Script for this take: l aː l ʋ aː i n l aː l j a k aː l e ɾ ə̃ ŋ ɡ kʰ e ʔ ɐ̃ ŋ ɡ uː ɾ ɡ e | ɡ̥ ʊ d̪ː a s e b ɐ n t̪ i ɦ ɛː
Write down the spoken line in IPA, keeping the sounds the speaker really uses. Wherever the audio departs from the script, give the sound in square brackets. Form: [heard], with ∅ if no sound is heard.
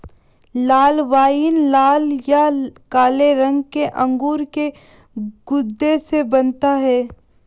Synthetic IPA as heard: l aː l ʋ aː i n l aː l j a k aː l e ɾ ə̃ ŋ ɡ [k] e ʔ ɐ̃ ŋ ɡ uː ɾ [k] e | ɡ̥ ʊ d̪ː [e] s e b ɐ n t̪ [a] ɦ ɛː